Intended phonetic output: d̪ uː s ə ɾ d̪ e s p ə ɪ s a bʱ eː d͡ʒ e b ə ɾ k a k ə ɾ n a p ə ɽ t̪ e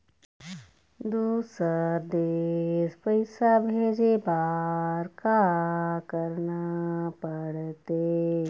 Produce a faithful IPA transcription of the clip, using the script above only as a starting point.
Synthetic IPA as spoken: d̪ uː s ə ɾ d̪ e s p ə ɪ s a bʱ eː d͡ʒ e b a ɾ k a k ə ɾ n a p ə ɽ t̪ e